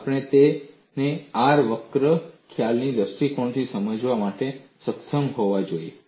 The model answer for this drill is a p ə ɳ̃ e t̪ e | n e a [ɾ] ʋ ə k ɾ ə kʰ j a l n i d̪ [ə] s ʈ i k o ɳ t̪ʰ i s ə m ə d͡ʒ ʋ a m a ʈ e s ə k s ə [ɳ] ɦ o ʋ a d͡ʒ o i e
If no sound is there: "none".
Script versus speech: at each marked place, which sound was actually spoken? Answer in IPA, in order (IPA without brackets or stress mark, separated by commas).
ɾ, ə, m